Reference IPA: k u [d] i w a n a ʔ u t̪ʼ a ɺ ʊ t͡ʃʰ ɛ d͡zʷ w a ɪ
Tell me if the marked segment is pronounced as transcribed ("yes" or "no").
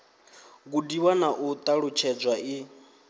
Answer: yes